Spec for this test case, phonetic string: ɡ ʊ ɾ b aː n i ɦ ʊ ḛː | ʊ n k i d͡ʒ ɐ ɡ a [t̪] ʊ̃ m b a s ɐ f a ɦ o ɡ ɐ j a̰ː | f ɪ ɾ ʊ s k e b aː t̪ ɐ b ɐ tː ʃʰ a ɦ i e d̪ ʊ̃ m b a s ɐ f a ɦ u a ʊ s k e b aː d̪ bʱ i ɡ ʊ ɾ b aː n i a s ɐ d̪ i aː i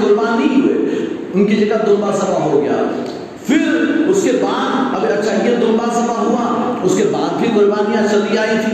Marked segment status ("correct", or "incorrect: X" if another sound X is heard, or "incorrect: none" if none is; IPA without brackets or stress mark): incorrect: d̪